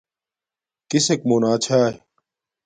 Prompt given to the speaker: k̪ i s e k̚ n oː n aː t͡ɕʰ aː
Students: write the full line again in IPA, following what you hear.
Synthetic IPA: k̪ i s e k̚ m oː n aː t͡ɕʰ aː